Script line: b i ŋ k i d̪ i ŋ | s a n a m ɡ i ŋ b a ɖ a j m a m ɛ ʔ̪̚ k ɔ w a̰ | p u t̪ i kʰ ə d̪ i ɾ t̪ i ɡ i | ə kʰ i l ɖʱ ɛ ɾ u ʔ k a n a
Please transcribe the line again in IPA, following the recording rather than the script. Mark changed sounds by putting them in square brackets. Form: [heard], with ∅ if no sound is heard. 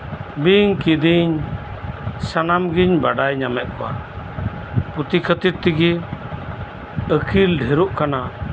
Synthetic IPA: b i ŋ k i d̪ i [ɲ] | s a n a m ɡ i [ɲ] b a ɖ a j [ɲ] a m ɛ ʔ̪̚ k ɔ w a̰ | p u t̪ i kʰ ə [t̪] i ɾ t̪ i ɡ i | ə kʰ i l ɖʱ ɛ ɾ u ʔ k a n a